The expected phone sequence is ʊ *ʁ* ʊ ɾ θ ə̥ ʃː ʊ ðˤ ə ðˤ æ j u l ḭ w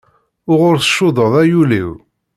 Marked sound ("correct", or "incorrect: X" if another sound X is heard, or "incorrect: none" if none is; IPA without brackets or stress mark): correct